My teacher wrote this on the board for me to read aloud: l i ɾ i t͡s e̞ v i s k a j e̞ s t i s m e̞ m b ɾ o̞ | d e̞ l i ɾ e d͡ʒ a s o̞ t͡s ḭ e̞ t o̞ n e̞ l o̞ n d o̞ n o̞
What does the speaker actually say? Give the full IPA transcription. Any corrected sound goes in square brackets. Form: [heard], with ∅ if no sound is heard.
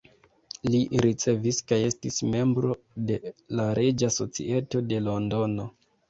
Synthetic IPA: l i ɾ i t͡s e̞ v i s k a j e̞ s t i s m e̞ m b ɾ o̞ | d e̞ l [a] ɾ e d͡ʒ a s o̞ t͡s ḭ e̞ t o̞ [d] e̞ l o̞ n d o̞ n o̞

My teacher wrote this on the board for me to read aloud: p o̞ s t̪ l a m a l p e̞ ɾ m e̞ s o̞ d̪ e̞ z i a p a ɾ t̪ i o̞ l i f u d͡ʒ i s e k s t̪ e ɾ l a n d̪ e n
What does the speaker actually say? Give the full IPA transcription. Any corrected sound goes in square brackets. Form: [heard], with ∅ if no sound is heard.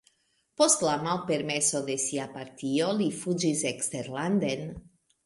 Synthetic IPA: p o̞ s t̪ l a m a l p e̞ ɾ m e̞ s o̞ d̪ e̞ [s] i a p a ɾ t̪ i o̞ l i f u d͡ʒ i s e k s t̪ e ɾ l a n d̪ e n

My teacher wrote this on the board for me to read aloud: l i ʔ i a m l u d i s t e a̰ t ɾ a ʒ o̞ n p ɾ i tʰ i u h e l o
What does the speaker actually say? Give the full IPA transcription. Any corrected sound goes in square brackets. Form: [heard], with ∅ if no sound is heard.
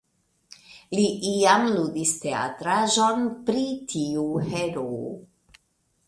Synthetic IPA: l i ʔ i a m l u d i s t e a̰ t ɾ a ʒ o̞ n p ɾ i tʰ i u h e [ɾ] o

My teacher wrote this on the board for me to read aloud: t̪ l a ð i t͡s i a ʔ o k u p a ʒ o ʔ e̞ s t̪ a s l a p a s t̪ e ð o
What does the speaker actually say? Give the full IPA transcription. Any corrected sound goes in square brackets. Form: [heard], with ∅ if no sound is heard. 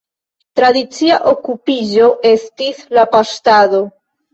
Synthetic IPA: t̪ [ɾ] a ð i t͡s i a ʔ o k u p [i] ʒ o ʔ e̞ s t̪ [i] s l a p a s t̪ [a] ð o

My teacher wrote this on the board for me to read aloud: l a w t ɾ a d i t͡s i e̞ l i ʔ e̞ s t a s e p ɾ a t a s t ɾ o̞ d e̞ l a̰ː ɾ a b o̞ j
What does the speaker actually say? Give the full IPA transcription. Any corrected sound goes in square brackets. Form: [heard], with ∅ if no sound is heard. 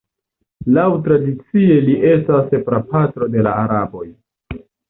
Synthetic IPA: l a w t ɾ a d i t͡s i e̞ l i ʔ e̞ s t a s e p ɾ a [p] a [∅] t ɾ o̞ d e̞ l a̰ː ɾ a b o̞ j

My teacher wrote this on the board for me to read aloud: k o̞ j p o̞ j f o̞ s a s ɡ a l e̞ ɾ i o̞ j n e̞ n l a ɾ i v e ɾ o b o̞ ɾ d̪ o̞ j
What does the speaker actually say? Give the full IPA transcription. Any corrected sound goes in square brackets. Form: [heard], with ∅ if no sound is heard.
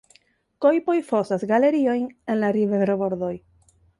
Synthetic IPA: k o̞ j p o̞ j f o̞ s a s ɡ a l e̞ ɾ i o̞ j n e̞ n l a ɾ i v e ɾ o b o̞ ɾ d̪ o̞ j

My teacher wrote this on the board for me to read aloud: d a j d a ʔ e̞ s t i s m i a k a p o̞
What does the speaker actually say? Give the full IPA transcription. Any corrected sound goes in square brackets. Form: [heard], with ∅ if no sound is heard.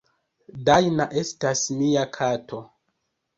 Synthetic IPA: d a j [n] a ʔ e̞ s t [a] s m i a [kʰ] a [t] o̞

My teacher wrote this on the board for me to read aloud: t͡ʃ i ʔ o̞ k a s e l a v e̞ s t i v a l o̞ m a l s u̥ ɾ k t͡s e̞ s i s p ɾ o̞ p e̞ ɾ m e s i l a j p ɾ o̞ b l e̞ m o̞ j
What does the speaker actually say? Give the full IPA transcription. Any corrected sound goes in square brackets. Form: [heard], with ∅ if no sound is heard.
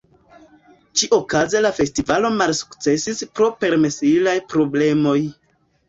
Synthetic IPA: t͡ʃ i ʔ o̞ k a [z] e l a [f] e̞ s t i v a l o̞ m a l s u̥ [∅] k t͡s e̞ s i s p ɾ o̞ p e̞ ɾ m e s i l a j p ɾ o̞ b l e̞ m o̞ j

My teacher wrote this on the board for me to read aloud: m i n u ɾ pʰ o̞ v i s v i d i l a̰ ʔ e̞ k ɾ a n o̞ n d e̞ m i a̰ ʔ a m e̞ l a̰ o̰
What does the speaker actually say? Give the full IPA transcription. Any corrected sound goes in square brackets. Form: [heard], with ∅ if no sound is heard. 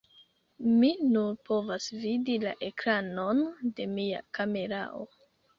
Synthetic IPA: m i n u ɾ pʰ o̞ v [a] s v i d i l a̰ ʔ e̞ k ɾ a n o̞ n d e̞ m i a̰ [k] a m e̞ [ɾ] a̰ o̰

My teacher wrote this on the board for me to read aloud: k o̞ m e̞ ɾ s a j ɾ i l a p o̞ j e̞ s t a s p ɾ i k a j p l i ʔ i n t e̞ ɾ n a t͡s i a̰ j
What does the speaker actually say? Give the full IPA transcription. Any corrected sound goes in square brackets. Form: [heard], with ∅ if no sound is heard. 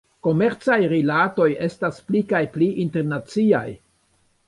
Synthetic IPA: k o̞ m e̞ ɾ [t͡s] a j ɾ i l a [t] o̞ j e̞ s t a s p [l] i k a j p l i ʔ i n t e̞ ɾ n a t͡s i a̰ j

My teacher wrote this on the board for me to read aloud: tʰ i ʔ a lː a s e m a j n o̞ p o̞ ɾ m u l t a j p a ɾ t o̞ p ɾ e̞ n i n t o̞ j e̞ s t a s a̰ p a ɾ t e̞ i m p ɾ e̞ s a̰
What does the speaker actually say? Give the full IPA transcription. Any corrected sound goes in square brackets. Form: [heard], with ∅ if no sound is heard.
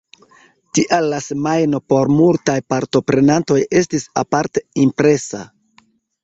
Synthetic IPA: [t] i ʔ a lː a s e m a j n o̞ p o̞ ɾ m u l t a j p a ɾ t o̞ p ɾ e̞ n [a] n t o̞ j e̞ s t [i] s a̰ p a ɾ t e̞ i m p ɾ e̞ s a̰

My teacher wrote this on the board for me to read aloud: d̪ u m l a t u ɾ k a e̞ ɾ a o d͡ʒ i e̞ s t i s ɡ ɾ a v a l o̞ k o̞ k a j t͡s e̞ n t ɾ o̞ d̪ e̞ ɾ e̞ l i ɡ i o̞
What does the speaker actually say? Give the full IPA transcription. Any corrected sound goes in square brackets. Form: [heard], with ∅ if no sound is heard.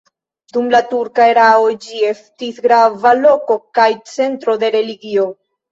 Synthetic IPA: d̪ u m l a t u ɾ k a e̞ ɾ a o d͡ʒ i e̞ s t i s ɡ ɾ a v a l o̞ k o̞ k a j t͡s e̞ n t ɾ o̞ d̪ e̞ ɾ e̞ l i ɡ i o̞

